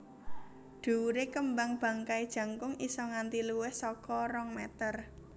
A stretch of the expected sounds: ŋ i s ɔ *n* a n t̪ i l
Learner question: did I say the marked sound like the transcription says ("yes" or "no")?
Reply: no